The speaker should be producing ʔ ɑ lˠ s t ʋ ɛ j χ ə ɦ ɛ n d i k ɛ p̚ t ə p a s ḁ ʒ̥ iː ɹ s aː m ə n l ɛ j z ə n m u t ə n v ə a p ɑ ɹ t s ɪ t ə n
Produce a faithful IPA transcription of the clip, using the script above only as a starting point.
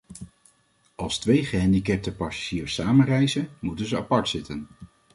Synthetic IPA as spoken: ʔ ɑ lˠ s t ʋ e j χ ə ɦ ɛ n d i k ɛ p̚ t ə p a s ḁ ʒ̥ iː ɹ s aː m ə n r ɛ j z ə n m u t ə n z ə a p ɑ ɹ t s ɪ t ə n